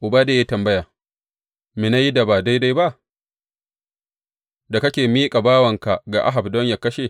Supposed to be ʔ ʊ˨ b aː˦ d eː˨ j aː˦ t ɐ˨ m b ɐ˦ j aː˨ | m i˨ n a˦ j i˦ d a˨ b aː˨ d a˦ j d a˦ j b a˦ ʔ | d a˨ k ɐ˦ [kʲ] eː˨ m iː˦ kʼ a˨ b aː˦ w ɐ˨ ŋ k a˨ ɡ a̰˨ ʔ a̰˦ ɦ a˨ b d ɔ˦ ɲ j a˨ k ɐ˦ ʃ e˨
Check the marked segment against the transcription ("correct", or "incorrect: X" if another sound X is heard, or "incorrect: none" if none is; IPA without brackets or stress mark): correct